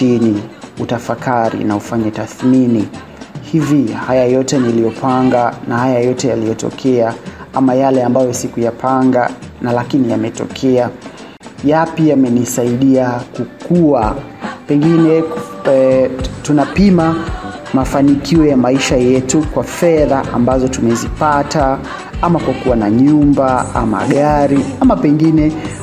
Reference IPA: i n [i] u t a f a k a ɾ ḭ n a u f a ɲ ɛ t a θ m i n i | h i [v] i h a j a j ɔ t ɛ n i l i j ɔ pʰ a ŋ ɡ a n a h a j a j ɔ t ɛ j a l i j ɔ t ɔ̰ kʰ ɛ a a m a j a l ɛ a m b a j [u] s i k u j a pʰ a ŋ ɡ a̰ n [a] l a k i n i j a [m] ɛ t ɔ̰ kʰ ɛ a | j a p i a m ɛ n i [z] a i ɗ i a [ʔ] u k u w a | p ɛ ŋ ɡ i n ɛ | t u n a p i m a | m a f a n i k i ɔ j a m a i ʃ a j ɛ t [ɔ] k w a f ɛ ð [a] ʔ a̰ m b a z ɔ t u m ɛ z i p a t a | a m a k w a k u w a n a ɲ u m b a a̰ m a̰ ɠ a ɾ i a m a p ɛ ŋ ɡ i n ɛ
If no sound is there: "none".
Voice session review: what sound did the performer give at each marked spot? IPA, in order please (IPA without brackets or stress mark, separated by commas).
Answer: i, v, ɔ, a, m, s, k, u, a